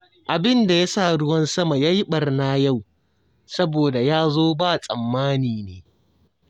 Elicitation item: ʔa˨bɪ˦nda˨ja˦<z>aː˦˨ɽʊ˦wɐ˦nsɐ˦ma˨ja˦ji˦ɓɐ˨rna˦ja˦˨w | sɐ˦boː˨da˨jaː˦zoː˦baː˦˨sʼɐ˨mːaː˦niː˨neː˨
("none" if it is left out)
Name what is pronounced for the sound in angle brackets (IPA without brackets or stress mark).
s